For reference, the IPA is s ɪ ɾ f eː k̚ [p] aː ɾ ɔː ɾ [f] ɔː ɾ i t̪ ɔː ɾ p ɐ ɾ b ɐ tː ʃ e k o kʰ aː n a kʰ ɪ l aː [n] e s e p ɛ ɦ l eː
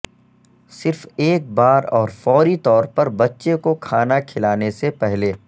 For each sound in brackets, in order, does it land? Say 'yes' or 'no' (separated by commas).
no, yes, yes